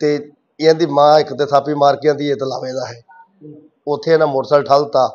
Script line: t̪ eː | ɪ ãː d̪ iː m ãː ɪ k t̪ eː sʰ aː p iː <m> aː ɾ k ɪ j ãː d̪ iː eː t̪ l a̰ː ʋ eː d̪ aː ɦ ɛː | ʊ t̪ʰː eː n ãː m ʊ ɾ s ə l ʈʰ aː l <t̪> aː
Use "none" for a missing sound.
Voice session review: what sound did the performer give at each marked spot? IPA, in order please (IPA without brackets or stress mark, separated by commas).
m, t̪